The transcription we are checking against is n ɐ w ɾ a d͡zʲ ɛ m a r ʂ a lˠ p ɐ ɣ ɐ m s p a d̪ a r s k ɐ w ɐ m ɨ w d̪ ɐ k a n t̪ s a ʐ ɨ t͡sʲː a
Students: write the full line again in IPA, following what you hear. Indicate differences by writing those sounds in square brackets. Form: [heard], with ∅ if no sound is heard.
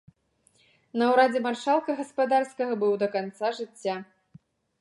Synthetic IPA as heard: n ɐ w ɾ a d͡zʲ ɛ m a r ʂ a lˠ [k] ɐ ɣ ɐ [∅] s p a d̪ a r s k ɐ [ɣ] ɐ [b] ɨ w d̪ ɐ k a n t̪ s a ʐ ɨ t͡sʲː a